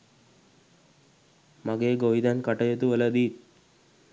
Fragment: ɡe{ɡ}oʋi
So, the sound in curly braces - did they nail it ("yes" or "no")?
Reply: yes